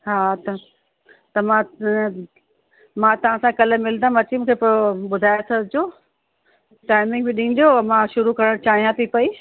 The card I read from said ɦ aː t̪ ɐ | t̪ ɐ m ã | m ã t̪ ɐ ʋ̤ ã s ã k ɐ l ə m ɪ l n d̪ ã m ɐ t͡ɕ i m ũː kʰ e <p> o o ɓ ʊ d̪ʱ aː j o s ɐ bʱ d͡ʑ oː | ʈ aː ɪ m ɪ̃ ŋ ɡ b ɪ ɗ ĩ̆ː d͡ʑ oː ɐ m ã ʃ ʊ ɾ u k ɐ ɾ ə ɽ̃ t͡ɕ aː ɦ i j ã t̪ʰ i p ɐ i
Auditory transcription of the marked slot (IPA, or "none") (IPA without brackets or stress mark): p